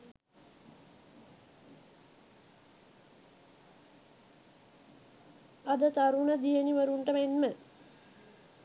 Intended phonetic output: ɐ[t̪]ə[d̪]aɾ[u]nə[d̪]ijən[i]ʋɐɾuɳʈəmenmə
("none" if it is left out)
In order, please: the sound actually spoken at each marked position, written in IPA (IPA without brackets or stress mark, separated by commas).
d̪, t̪, u, d̪, i